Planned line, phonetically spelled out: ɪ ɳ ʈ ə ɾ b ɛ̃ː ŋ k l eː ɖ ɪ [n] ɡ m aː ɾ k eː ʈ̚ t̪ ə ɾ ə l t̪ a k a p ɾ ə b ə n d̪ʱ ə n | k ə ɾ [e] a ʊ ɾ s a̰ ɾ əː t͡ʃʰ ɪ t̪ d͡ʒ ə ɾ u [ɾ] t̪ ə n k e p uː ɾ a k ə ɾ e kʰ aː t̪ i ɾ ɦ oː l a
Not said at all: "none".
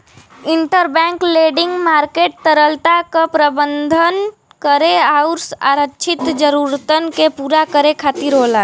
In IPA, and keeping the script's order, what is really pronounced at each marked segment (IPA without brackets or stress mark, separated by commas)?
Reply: ŋ, e, ɾ